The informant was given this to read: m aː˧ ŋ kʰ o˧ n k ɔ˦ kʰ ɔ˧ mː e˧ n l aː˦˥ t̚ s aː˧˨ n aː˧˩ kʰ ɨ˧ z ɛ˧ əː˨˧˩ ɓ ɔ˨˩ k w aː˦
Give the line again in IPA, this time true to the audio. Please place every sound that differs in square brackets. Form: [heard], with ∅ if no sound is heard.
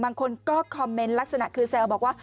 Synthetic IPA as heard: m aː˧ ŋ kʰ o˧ n k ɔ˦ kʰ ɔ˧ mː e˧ n l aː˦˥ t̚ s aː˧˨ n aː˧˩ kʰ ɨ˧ [s] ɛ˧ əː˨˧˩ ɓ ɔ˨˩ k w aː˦